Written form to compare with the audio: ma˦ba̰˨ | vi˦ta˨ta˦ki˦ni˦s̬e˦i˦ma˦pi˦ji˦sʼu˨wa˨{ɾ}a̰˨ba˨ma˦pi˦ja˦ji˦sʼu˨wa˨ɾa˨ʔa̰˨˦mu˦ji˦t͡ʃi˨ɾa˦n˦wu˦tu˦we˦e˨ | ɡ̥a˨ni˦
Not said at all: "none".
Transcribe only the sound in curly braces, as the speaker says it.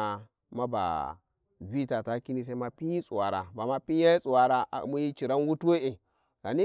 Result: ɾ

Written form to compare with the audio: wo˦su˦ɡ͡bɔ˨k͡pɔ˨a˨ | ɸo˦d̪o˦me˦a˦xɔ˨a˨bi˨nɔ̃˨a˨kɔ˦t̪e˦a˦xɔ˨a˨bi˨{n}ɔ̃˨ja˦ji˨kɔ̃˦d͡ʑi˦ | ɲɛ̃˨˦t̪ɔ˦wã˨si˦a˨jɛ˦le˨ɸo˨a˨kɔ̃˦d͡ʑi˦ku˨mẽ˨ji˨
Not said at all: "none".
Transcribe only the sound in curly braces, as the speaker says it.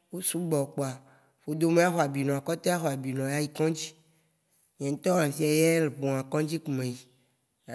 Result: n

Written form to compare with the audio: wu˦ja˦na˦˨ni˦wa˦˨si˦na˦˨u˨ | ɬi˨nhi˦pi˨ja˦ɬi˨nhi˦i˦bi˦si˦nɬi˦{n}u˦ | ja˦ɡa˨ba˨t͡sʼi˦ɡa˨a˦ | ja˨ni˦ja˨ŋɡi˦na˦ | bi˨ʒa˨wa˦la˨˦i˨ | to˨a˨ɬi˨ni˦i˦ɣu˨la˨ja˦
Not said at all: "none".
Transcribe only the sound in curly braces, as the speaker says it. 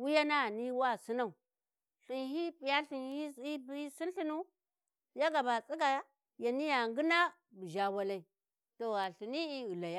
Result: n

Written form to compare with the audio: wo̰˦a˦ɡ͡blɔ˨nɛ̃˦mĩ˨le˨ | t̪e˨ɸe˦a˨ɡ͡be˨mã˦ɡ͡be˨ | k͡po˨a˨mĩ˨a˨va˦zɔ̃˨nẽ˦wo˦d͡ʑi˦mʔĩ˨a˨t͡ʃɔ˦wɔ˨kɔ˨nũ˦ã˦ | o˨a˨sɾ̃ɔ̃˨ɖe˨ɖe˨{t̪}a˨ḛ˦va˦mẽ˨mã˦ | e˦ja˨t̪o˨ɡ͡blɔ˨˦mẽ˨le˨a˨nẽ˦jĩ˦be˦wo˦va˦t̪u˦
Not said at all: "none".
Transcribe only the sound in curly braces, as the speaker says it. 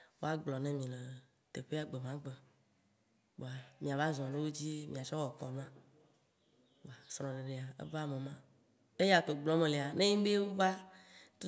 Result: none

